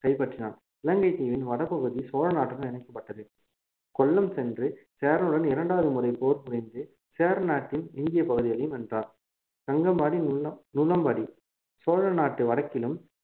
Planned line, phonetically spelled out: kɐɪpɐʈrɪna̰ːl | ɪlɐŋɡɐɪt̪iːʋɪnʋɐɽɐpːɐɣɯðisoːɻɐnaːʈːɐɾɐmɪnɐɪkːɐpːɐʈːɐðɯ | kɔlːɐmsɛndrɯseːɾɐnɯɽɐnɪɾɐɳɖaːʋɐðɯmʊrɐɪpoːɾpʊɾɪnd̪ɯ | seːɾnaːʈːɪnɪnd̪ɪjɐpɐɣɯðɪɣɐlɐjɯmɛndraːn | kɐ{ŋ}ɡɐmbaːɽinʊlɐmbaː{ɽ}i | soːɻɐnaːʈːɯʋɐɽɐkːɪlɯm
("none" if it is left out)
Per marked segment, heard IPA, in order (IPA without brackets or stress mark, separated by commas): ŋ, ɽ